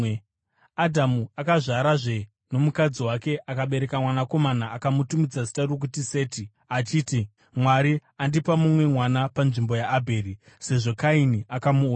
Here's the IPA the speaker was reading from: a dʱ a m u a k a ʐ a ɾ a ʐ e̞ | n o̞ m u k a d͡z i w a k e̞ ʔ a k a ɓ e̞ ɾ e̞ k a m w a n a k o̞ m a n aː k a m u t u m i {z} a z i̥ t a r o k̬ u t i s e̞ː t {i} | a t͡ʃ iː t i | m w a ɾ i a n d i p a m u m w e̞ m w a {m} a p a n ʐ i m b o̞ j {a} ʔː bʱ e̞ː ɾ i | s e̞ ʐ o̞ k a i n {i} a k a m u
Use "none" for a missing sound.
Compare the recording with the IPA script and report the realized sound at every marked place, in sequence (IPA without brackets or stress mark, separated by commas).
d͡z, i, n, a, i